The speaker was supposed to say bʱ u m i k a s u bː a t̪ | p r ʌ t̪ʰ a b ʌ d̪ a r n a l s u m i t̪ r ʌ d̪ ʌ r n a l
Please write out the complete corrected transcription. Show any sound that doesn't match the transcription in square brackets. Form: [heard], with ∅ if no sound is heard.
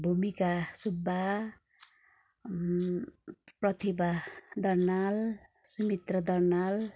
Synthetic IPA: bʱ u m i k a s u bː a [∅] | p r ʌ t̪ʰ [i] b [a] d̪ [ʌ] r n a l s u m i t̪ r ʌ d̪ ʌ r n a l